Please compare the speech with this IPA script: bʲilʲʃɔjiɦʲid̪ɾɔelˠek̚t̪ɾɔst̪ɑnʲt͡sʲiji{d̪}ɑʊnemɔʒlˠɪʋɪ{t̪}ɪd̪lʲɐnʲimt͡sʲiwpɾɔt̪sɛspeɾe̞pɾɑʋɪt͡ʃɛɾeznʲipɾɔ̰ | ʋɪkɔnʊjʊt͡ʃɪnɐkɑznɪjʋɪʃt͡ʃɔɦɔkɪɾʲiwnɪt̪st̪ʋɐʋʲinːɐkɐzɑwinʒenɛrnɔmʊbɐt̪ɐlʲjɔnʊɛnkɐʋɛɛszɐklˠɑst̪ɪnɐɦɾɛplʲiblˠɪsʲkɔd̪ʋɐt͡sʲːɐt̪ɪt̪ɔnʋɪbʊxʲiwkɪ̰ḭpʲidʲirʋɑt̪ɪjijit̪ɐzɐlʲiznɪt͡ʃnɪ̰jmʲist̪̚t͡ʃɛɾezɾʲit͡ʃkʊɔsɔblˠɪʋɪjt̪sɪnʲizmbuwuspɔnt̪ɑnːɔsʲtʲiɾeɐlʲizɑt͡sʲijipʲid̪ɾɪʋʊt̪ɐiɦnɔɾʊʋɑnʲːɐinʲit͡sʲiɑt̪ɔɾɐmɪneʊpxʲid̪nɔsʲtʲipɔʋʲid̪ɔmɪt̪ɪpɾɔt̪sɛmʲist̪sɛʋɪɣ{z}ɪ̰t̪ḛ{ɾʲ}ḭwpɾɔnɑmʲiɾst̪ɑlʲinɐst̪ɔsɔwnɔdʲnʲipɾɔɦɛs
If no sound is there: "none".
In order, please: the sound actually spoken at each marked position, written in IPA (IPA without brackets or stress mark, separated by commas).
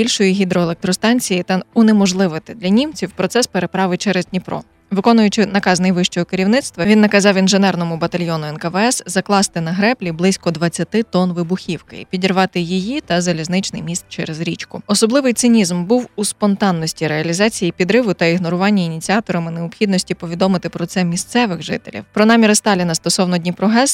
t̪, t̪, ʒ, lʲ